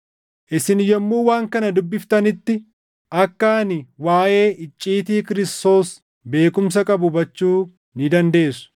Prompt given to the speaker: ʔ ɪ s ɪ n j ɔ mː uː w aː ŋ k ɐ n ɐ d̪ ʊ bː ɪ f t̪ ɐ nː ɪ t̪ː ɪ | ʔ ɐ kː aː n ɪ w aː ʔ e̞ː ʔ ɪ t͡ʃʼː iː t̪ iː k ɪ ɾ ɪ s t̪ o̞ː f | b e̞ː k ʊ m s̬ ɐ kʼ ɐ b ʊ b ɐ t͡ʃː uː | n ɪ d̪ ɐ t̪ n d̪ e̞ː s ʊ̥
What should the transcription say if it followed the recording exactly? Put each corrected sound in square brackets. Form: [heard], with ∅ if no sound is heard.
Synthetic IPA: ʔ ɪ s ɪ n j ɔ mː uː w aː ŋ k ɐ n ɐ d̪ ʊ bː ɪ f t̪ ɐ [n] ɪ t̪ː ɪ | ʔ ɐ kː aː n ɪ w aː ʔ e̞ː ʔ ɪ t͡ʃʼː iː t̪ iː k ɪ ɾ ɪ s t̪ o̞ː [s] | b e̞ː k ʊ m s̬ ɐ kʼ ɐ b ʊ b ɐ t͡ʃː uː | n ɪ d̪ ɐ [∅] n d̪ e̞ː s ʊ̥